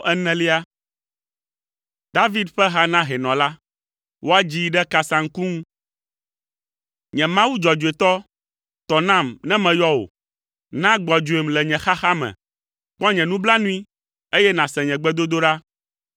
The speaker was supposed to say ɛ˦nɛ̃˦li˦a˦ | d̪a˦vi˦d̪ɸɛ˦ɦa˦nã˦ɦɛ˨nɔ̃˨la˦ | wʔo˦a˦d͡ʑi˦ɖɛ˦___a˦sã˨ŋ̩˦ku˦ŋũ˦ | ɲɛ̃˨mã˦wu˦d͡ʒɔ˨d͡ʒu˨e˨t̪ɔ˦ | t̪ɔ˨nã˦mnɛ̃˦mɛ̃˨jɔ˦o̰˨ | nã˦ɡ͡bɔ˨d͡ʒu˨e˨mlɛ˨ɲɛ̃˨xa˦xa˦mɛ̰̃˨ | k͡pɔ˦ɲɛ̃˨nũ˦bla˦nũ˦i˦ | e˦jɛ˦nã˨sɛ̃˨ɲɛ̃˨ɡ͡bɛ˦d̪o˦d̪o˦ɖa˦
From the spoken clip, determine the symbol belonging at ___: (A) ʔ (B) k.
B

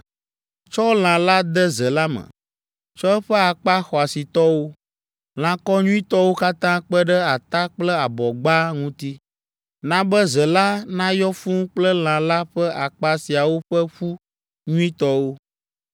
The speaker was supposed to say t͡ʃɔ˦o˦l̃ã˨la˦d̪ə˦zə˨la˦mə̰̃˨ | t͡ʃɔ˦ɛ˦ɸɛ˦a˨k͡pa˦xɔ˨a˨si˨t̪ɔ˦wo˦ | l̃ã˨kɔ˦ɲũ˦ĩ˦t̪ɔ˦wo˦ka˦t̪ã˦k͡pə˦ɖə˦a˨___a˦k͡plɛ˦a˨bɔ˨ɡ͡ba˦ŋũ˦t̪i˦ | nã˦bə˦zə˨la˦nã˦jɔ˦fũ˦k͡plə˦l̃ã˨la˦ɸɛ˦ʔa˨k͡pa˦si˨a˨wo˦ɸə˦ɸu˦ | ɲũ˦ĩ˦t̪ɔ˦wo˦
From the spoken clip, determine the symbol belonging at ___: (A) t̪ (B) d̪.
A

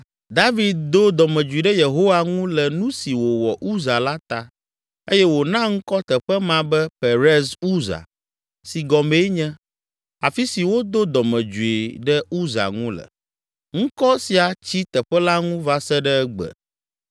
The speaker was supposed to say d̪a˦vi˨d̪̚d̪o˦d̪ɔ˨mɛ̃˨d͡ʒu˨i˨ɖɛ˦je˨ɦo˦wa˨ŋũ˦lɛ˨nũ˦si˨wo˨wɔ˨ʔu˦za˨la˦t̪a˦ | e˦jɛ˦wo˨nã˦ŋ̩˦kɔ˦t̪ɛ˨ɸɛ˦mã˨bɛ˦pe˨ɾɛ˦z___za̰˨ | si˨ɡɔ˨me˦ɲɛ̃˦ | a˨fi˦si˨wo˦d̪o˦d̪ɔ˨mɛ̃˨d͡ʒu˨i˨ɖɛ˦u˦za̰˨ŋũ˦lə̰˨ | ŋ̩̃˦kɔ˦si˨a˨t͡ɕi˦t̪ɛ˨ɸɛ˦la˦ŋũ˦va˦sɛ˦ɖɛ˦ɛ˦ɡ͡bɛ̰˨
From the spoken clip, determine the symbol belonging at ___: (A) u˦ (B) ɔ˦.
A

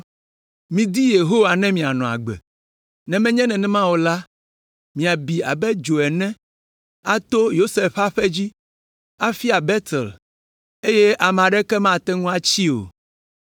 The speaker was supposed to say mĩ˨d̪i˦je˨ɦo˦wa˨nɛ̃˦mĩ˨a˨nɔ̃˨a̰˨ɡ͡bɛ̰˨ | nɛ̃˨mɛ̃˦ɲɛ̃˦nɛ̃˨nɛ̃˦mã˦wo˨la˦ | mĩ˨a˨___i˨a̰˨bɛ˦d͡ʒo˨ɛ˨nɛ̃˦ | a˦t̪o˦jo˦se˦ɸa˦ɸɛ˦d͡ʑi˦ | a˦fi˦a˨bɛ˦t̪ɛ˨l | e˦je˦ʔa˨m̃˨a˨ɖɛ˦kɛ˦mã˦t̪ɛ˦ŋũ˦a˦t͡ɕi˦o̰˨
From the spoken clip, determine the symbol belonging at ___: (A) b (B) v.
A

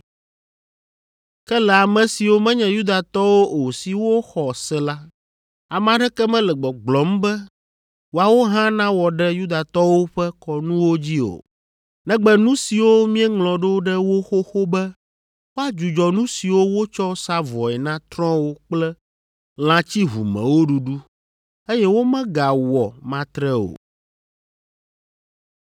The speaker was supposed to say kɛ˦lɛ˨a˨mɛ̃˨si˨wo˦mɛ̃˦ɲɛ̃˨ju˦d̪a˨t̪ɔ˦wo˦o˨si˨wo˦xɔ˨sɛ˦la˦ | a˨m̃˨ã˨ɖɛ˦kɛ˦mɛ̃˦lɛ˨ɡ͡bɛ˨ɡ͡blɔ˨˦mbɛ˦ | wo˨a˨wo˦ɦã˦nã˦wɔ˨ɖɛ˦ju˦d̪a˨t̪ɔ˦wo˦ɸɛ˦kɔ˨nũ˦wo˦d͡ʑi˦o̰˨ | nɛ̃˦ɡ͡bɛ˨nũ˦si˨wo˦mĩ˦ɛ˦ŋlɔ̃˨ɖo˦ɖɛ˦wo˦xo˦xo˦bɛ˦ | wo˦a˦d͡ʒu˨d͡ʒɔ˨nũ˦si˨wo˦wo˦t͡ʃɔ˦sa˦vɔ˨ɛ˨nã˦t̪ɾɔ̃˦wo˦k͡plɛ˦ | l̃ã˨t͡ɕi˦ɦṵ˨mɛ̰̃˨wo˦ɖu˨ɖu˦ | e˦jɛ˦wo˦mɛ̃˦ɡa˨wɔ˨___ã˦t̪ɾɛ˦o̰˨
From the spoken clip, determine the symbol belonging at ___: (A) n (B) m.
B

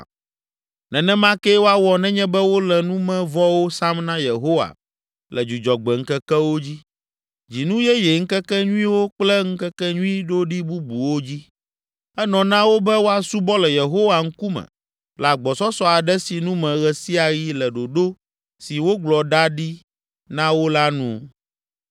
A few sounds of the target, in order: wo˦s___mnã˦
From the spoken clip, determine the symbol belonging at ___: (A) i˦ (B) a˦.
B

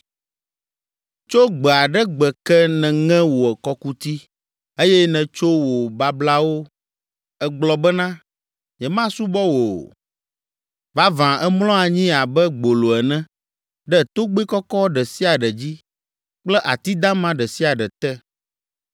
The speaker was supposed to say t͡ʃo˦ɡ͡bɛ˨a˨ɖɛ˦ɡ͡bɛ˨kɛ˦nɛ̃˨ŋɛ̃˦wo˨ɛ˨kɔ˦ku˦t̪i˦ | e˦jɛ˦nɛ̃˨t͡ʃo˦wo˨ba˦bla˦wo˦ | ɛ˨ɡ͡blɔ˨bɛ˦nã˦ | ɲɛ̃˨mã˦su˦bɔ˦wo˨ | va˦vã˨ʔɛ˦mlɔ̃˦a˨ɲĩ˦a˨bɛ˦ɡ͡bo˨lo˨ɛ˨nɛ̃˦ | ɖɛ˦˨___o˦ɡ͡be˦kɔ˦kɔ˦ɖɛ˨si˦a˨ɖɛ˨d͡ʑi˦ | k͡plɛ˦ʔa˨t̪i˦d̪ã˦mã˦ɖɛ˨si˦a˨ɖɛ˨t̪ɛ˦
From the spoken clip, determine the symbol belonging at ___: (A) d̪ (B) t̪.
B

